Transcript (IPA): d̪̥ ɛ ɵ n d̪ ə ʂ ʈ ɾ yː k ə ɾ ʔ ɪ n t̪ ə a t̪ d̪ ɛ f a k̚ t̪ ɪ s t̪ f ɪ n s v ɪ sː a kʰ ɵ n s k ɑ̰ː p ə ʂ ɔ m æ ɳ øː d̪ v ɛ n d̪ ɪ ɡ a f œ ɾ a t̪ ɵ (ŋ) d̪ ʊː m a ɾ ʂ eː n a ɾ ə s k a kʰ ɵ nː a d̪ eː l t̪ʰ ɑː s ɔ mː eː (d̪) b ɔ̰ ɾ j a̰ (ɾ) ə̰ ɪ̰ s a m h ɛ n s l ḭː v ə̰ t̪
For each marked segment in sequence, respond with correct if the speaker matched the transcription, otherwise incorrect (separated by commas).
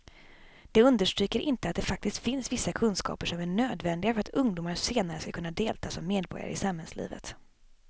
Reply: correct, correct, correct